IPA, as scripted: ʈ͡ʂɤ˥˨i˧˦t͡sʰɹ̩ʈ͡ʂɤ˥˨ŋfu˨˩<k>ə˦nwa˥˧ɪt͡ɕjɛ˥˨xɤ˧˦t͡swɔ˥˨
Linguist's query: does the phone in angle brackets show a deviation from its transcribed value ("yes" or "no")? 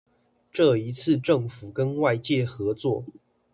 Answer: no